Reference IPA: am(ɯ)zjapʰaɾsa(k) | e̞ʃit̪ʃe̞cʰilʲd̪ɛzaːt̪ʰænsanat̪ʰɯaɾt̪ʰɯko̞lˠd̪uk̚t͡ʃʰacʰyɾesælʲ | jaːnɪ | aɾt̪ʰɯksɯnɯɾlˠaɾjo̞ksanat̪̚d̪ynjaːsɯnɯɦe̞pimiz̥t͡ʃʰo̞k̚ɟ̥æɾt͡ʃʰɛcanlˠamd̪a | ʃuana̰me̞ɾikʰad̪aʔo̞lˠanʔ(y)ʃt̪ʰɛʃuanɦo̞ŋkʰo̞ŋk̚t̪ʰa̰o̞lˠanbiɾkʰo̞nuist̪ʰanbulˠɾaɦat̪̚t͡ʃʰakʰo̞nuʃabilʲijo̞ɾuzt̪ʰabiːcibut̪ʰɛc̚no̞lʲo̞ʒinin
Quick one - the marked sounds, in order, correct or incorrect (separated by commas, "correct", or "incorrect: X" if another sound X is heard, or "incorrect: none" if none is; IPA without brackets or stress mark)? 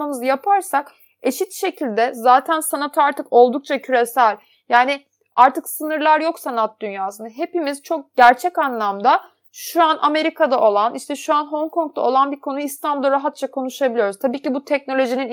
correct, correct, incorrect: i